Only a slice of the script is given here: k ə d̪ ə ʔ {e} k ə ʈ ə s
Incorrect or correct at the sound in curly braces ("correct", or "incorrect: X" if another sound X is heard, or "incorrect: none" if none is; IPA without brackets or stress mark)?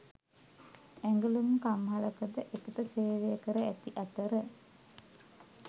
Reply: correct